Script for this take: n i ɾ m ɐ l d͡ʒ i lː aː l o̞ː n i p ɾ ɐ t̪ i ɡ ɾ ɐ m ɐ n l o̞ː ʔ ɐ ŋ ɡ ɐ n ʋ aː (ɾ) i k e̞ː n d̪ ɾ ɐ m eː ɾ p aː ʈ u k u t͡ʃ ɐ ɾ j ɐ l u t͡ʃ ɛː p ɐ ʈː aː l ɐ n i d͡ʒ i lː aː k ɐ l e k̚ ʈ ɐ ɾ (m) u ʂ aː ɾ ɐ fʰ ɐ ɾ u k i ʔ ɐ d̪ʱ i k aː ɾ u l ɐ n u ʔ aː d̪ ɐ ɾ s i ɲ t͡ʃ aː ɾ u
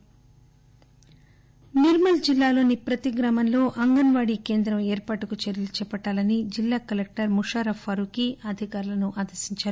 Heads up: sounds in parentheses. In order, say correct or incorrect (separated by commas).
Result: incorrect, correct